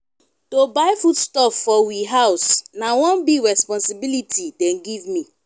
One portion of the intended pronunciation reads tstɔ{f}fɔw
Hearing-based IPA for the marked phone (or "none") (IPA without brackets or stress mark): f